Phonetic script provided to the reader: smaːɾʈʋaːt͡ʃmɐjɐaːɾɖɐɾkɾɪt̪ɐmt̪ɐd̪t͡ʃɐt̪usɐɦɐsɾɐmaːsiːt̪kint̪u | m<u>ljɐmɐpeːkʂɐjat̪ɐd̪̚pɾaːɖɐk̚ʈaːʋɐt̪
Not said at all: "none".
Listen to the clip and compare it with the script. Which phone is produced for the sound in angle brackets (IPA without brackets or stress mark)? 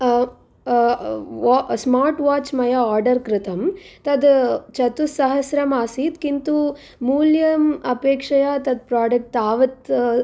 uː